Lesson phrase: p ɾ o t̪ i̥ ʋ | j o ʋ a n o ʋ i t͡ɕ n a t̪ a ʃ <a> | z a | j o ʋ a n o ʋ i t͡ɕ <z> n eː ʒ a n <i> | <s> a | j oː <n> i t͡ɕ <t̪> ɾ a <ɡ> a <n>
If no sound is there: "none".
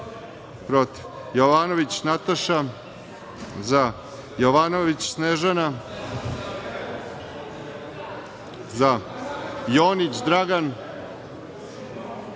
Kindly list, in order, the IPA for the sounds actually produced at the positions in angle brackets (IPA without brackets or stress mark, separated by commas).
a, s, a, z, n, d̪, ɡ, n